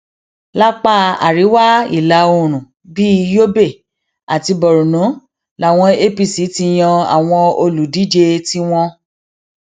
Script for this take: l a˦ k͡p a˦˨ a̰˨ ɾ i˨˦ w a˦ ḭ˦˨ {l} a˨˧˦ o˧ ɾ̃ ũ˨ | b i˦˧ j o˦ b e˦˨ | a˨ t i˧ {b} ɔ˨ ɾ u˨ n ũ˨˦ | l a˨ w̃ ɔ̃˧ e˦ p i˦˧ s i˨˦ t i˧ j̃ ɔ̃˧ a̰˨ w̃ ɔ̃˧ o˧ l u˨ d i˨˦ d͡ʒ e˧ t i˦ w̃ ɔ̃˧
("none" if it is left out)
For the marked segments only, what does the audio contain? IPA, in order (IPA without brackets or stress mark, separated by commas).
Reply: l, b